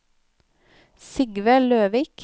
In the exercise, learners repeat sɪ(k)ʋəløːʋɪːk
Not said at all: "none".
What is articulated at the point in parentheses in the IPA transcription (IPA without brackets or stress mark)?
ɡ